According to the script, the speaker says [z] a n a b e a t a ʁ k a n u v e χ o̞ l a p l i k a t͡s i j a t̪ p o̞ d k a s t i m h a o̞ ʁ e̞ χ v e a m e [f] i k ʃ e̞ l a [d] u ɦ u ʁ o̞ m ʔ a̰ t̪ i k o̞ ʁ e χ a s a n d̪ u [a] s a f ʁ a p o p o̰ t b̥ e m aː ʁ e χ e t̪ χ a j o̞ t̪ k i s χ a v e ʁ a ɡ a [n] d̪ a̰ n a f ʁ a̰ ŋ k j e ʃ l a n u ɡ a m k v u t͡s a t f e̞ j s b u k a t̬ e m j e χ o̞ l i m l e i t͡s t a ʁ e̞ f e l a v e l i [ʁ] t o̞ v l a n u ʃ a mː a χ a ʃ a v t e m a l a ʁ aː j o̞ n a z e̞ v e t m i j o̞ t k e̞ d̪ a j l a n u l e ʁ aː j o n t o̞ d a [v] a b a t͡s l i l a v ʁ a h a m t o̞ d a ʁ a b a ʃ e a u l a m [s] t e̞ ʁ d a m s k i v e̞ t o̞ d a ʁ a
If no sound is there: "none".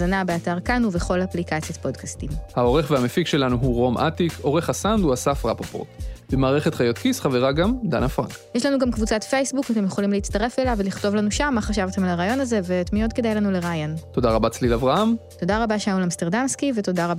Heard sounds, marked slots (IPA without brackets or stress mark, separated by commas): z, f, n, a, m, χ, ʁ, s